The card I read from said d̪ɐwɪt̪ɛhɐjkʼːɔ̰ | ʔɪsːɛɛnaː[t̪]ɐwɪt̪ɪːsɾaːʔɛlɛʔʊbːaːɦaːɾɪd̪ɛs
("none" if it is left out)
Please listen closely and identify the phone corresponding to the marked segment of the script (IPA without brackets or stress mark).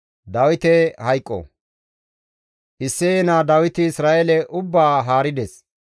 d̪